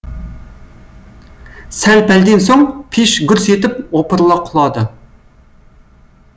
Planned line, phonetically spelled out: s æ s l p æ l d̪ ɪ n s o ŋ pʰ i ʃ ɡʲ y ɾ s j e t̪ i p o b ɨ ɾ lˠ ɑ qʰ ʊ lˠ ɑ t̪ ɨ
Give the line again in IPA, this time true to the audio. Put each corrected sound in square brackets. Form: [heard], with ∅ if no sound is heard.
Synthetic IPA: s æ [∅] l p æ l d̪ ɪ n s o ŋ pʰ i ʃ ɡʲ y ɾ s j e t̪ [ɪ] p o [p] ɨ ɾ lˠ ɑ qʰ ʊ lˠ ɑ [d̪] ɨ

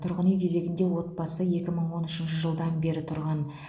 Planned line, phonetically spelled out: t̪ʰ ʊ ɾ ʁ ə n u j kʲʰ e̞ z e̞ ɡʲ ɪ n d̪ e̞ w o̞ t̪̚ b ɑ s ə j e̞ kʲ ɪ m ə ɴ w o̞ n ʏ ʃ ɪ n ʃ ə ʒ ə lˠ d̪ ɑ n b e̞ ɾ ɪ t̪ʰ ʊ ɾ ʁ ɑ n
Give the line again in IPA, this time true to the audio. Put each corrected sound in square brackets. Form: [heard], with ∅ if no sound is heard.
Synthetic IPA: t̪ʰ ʊ ɾ ʁ ə n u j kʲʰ e̞ z e̞ ɡʲ ɪ n d̪ e̞ w o̞ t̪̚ b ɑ s ə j e̞ kʲ ɪ m ə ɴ w o̞ n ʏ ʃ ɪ n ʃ ə ʒ ə lˠ d̪ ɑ n b e̞ ɾ ɪ t̪ʰ ʊ ɾ ʁ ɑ n

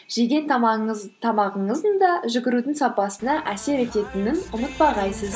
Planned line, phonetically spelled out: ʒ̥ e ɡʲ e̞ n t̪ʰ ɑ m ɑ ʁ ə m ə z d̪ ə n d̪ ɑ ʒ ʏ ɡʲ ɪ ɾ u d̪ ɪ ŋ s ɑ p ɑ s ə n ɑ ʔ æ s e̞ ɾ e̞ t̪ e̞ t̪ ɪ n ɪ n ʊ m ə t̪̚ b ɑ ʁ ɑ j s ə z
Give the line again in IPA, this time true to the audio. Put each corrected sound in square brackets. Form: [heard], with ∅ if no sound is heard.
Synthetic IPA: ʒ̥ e ɡʲ e̞ n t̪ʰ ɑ m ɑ ʁ ə [ɴ] ə z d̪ ə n d̪ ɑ ʒ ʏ ɡʲ ɪ ɾ u d̪ ɪ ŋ s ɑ p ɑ s ə n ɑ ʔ æ s e̞ ɾ e̞ t̪ e̞ t̪ ɪ n ɪ n ʊ m ə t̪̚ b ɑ ʁ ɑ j s ə z

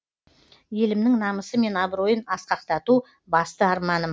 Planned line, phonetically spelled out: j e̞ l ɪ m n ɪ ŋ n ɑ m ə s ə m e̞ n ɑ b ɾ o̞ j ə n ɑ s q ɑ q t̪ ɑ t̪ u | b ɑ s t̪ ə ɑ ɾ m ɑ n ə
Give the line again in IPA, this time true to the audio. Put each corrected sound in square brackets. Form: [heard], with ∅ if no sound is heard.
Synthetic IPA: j e̞ l ɪ m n ɪ ŋ n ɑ m ə s ə m e̞ n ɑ b ɾ o̞ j ə n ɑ s q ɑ q t̪ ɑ t̪ u | b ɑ s t̪ ə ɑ ɾ m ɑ n ə

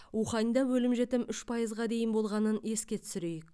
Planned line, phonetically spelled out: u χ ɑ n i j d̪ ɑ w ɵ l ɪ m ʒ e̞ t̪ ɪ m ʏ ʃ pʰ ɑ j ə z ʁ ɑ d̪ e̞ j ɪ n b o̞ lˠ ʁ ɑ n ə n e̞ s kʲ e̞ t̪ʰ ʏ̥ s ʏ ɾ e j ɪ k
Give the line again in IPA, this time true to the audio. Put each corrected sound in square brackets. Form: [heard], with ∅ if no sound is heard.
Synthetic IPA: u χ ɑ n i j d̪ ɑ w ɵ l ɪ m ʒ e̞ t̪ ɪ m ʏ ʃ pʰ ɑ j ə z ʁ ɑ d̪ e̞ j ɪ n b o̞ lˠ ʁ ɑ n ə n e̞ s kʲ e̞ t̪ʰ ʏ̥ s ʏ ɾ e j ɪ k

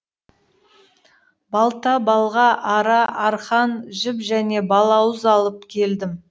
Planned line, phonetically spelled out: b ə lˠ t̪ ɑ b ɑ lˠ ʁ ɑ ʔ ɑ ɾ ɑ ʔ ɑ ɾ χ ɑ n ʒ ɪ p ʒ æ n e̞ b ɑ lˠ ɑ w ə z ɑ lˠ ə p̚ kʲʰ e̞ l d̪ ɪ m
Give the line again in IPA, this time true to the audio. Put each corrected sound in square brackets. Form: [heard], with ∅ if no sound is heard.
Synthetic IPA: b [ɑ] lˠ t̪ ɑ b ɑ lˠ ʁ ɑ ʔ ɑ ɾ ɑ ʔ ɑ ɾ χ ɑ n ʒ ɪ p ʒ æ n e̞ b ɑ lˠ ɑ w ə z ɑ lˠ ə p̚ kʲʰ e̞ l d̪ ɪ m

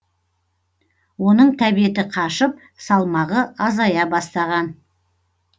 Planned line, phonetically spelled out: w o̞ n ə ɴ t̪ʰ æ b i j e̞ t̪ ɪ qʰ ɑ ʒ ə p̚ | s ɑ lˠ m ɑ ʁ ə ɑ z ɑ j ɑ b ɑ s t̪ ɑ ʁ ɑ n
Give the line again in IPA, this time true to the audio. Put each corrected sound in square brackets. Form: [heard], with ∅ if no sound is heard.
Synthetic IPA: w o̞ n ə ɴ t̪ʰ æ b i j e̞ t̪ ɪ qʰ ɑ [ʃ] ə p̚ | s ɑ lˠ m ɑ ʁ ə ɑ z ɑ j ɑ b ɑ s t̪ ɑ ʁ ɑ n

